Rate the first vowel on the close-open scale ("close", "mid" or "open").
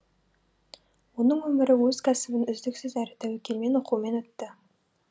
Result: mid